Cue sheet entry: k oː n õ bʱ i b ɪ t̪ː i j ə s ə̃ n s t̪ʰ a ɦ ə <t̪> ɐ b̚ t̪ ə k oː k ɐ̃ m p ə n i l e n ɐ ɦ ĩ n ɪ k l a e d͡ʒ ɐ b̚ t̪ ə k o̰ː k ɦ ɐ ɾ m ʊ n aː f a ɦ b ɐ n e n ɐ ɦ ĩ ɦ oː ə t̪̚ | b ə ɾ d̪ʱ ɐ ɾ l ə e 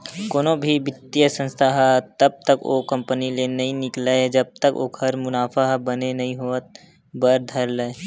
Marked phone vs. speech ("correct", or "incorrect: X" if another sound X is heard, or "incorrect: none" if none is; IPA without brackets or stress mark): correct